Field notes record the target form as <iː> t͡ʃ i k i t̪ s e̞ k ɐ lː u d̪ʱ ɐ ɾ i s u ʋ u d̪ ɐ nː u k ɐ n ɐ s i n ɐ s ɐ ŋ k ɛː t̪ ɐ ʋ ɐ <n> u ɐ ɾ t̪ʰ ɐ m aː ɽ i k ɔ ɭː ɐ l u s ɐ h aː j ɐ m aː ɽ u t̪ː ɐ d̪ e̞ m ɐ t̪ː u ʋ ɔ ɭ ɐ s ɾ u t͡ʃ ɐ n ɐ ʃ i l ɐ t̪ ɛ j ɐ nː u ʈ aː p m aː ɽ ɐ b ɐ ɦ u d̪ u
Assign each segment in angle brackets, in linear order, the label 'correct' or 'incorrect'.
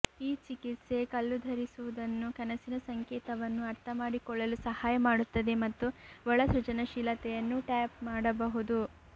correct, incorrect

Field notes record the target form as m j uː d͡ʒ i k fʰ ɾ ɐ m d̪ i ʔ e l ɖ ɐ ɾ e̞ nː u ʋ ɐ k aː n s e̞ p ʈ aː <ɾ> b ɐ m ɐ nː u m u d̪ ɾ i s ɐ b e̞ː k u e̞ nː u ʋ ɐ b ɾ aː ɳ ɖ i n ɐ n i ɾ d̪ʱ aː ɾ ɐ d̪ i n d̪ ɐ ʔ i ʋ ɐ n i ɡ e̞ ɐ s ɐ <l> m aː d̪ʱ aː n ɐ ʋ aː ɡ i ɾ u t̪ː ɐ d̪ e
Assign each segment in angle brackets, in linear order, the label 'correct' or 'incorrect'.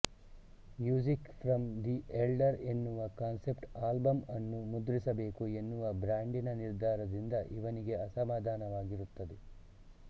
incorrect, incorrect

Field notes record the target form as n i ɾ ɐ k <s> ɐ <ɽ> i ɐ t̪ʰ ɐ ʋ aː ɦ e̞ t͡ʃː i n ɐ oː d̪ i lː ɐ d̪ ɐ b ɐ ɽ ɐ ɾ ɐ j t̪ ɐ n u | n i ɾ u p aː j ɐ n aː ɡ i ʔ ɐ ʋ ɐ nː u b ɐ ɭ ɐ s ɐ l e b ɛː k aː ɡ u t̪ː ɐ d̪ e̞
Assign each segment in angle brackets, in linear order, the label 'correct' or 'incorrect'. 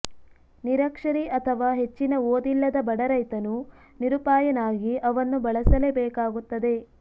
incorrect, incorrect

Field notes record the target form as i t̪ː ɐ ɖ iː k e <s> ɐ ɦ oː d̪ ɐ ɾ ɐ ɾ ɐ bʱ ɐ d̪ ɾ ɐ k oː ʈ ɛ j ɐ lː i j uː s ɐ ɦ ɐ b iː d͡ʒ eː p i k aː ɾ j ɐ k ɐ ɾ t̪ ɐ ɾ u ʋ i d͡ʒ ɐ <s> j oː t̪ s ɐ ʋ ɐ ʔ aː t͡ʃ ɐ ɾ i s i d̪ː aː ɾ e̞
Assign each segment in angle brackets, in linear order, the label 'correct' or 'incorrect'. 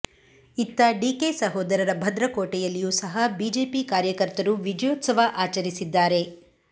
correct, incorrect

